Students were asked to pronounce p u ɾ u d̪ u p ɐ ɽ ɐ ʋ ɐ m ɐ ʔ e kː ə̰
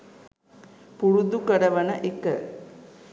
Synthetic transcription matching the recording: p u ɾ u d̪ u k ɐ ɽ ɐ ʋ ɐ n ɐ ʔ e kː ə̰